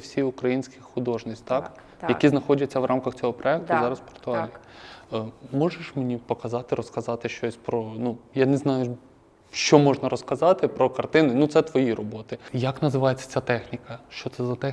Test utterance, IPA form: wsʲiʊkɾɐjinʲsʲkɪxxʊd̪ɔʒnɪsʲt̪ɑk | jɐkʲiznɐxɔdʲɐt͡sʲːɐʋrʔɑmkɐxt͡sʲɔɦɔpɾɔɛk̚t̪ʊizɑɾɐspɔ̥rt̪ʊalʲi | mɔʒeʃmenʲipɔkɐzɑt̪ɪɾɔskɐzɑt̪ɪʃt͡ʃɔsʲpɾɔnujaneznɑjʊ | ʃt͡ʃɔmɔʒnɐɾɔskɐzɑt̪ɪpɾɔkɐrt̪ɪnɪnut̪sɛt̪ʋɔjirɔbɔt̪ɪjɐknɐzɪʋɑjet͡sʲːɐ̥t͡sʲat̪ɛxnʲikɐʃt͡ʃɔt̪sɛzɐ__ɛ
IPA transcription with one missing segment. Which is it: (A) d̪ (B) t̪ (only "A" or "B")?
B